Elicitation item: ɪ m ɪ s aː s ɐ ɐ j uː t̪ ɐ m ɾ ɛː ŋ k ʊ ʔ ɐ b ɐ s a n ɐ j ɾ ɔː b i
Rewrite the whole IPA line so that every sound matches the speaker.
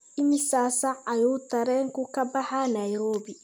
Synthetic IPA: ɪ m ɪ s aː s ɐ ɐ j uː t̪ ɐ ɾ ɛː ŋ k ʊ k ɐ b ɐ ħ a n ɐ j ɾ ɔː b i